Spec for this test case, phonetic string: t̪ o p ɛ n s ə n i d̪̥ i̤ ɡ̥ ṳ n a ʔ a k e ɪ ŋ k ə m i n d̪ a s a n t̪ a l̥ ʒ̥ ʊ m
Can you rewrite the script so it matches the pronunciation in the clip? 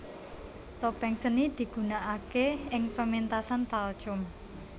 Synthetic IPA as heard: t̪ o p ɛ ŋ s ə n i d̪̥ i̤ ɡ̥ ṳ n a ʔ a k e ɪ ŋ p ə m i n t̪ a s a n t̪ a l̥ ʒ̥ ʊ m